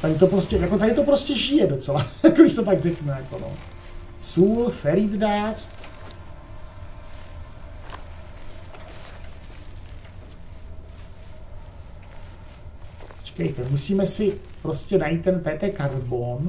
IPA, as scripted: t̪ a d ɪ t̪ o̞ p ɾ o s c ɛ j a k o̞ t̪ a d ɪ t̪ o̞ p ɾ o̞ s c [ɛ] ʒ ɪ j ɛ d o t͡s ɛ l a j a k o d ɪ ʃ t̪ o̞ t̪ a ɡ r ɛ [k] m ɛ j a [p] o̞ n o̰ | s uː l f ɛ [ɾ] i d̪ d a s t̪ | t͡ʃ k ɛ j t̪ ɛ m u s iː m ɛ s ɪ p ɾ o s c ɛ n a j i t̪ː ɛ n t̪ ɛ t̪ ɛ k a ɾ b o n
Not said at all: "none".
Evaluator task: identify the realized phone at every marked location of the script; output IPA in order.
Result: ɛ, k, k, ɾ

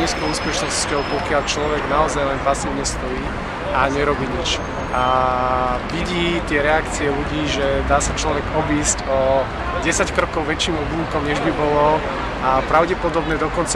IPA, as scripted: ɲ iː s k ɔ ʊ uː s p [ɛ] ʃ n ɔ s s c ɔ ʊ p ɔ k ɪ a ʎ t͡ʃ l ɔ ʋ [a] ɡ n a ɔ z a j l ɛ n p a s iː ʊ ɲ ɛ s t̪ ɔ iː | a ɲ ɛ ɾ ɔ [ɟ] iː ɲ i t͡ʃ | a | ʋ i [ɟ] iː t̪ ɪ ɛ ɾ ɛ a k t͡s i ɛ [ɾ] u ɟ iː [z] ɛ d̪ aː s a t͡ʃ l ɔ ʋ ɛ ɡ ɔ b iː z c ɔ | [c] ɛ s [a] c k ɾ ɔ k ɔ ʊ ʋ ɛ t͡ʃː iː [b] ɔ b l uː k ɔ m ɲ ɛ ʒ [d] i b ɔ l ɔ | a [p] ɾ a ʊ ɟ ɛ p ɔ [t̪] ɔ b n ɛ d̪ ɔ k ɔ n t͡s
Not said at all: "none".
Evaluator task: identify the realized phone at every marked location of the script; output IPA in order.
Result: ɛ, ɛ, b, ɟ, l, ʒ, ɟ, a, m, b, p, d̪

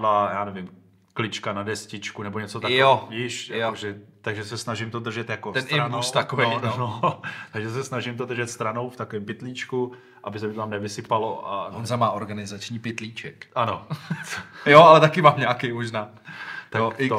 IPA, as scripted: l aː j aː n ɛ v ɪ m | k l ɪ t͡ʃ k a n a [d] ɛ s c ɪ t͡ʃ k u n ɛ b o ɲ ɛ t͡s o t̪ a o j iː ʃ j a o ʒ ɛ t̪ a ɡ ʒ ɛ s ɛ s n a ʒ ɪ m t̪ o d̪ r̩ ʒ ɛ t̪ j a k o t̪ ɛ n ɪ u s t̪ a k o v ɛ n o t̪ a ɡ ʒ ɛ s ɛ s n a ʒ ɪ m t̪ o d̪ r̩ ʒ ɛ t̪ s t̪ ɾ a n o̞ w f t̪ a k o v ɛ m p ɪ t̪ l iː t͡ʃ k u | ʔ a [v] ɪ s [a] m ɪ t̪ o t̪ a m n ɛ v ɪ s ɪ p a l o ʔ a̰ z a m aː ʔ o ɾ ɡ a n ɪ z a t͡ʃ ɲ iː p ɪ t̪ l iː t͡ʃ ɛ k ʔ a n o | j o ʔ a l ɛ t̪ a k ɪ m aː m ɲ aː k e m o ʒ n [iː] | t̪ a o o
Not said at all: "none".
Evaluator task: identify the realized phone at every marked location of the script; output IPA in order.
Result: d, b, ɛ, aː

